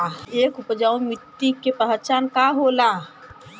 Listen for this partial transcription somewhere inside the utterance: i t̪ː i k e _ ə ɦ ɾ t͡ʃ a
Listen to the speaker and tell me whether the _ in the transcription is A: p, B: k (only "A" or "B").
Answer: A